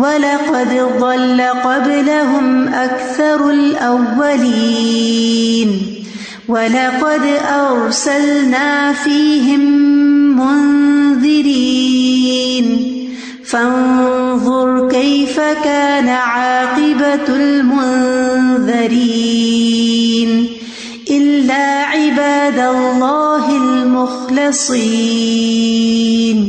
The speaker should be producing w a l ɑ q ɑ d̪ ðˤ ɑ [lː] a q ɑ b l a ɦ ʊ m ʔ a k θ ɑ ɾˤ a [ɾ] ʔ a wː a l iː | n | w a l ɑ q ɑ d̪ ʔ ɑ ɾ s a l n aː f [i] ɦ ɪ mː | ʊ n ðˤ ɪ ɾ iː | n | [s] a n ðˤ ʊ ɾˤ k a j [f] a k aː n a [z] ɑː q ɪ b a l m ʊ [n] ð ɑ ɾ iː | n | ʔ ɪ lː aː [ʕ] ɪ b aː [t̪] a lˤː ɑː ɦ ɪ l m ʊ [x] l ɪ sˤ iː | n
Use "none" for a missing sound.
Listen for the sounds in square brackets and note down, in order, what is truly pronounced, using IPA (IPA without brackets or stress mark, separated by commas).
lː, l, iː, f, f, ʕ, n, ʕ, d̪, x